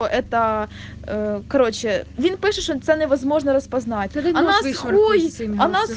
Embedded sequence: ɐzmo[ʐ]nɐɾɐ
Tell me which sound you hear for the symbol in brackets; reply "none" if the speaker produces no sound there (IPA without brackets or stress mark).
ʐ